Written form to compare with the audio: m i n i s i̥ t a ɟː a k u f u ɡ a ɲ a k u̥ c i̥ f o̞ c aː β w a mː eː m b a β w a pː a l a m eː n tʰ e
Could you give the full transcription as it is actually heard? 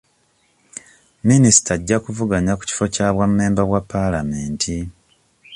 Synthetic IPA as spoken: m i n i s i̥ t a ɟː a k u v u ɡ a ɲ a k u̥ c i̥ f o̞ c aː β w a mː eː m b a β w a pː a l a m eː n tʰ i